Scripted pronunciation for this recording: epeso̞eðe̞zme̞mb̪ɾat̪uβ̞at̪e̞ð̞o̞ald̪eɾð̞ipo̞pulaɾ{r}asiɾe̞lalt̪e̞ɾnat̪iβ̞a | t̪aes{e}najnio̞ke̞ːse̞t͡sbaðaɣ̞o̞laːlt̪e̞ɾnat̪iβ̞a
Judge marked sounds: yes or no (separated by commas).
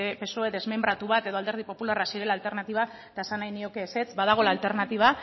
yes, no